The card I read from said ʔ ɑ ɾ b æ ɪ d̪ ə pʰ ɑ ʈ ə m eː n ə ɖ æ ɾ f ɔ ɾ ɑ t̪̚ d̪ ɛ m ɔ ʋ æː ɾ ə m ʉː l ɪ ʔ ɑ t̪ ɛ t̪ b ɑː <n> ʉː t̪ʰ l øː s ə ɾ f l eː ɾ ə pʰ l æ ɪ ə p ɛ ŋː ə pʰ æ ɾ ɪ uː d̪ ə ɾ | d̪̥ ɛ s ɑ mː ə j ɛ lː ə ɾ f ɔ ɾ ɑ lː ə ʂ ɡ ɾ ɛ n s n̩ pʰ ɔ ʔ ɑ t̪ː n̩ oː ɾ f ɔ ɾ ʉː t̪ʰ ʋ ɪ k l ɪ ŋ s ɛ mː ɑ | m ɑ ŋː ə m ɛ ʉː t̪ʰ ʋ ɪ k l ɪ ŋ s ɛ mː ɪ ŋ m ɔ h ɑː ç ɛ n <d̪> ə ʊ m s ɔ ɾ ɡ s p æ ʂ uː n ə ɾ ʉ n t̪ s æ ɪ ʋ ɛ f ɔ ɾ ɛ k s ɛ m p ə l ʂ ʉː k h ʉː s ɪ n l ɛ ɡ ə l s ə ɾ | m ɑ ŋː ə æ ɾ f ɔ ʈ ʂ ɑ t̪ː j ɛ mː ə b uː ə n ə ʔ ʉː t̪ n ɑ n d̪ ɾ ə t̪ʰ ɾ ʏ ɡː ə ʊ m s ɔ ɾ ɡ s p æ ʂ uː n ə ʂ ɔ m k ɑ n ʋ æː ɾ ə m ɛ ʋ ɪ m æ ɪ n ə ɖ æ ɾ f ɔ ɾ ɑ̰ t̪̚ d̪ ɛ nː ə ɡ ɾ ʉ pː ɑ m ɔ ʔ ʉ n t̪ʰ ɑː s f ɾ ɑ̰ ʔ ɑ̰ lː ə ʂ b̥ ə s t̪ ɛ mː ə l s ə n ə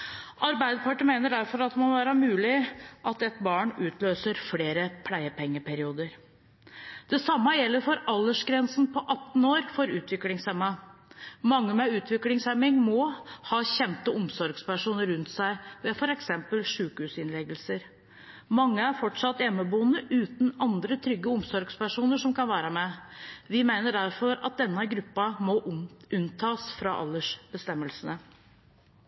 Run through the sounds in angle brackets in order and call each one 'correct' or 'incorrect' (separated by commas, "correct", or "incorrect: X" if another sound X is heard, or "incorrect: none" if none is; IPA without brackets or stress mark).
incorrect: ɳ, incorrect: t̪